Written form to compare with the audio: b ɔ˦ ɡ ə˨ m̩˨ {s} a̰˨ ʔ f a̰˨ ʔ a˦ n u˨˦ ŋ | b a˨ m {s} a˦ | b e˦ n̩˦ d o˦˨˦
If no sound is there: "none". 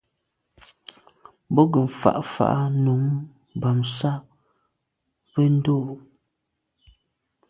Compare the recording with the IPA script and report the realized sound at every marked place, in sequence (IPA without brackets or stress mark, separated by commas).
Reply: f, s